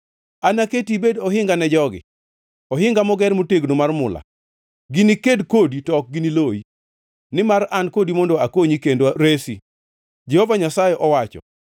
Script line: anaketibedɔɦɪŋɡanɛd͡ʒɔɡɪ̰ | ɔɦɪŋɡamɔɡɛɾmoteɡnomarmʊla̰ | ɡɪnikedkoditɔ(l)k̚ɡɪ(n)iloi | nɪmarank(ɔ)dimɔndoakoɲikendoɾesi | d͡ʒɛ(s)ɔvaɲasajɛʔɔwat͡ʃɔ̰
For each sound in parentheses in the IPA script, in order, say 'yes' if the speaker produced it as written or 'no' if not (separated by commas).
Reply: no, yes, no, no